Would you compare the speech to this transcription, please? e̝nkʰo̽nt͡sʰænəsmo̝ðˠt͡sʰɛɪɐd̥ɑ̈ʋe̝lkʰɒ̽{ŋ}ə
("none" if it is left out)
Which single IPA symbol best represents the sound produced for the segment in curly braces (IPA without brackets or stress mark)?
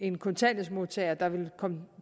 m